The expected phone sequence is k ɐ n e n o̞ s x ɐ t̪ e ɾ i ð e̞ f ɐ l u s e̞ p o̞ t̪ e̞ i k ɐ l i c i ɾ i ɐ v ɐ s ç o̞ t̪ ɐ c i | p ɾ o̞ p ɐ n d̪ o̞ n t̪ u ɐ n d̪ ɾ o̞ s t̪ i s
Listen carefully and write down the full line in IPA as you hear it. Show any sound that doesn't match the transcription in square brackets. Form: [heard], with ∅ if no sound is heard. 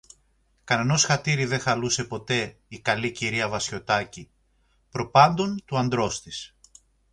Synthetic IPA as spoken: k ɐ n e n o̞ s x ɐ t̪ [i] ɾ i ð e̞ [x] ɐ l u s e̞ p o̞ t̪ e̞ i k ɐ l i c i ɾ i ɐ v ɐ s ç o̞ t̪ ɐ c i | p ɾ o̞ p ɐ n d̪ o̞ n t̪ u ɐ n d̪ ɾ o̞ s t̪ i s